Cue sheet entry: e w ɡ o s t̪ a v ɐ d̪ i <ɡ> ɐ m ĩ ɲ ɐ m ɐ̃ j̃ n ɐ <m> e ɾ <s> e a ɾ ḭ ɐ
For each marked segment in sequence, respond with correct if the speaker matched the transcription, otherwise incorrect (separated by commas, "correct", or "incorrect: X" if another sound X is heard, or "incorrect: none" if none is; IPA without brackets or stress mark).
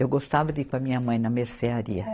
incorrect: k, correct, correct